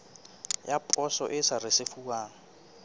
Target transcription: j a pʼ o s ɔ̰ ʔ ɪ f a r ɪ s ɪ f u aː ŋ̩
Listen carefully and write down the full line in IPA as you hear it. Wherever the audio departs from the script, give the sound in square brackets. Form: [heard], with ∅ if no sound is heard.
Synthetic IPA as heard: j a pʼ [ɔ] s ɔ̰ ʔ ɪ [s] a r ɪ s ɪ f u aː ŋ̩